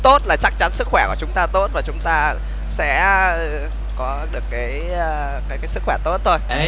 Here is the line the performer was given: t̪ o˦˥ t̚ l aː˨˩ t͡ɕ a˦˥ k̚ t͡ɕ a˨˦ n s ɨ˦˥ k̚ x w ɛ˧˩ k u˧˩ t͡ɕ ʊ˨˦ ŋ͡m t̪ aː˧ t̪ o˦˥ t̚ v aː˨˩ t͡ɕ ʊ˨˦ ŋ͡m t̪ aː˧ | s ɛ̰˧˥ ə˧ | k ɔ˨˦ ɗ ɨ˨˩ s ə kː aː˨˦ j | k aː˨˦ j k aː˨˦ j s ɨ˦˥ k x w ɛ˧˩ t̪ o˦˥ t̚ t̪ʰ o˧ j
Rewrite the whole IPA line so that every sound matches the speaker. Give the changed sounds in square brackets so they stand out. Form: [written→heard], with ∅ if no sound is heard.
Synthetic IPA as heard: t̪ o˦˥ t̚ l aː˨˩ t͡ɕ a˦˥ k̚ t͡ɕ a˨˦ n s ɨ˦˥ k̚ x w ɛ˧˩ k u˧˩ t͡ɕ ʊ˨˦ ŋ͡m t̪ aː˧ t̪ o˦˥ t̚ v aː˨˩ t͡ɕ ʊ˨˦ ŋ͡m t̪ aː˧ | s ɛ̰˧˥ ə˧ | k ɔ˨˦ ɗ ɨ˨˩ [s→∅] ə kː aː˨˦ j | k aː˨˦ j k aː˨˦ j s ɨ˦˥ k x w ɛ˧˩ t̪ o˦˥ t̚ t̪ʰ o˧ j

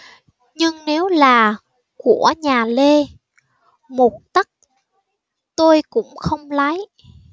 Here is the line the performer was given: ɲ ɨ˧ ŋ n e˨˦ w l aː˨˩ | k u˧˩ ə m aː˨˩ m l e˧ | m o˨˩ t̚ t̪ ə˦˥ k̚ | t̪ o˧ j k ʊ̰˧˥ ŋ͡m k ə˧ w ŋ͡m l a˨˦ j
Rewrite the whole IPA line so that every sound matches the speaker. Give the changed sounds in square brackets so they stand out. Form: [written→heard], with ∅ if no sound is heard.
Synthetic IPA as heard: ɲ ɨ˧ ŋ n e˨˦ w l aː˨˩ | k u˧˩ ə [m→ɲ] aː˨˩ [m→∅] l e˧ | m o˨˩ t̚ t̪ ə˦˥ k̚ | t̪ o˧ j k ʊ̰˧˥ ŋ͡m [k→x] ə˧ w ŋ͡m l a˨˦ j

